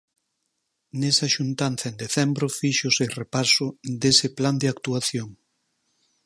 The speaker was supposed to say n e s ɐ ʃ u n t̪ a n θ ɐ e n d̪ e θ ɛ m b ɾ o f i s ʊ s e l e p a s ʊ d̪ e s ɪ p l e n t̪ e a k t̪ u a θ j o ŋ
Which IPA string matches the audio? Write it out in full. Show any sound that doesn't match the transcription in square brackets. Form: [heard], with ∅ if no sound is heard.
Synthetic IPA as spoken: n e s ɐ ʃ u n t̪ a n θ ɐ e n d̪ e θ ɛ m b ɾ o f i [ʃ] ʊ s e [r] e p a s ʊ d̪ e s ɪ p l [a] n [d̪] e a k t̪ u a θ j o ŋ